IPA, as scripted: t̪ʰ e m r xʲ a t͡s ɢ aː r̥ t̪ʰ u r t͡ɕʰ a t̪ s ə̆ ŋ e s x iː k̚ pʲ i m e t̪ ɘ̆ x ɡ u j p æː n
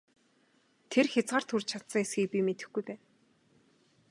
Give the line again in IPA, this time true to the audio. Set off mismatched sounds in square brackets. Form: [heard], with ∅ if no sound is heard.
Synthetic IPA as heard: t̪ʰ e [∅] r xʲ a t͡s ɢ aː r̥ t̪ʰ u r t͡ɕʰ a t̪ s ə̆ ŋ e s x iː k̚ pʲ i m e t̪ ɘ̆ x ɡ u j p æː n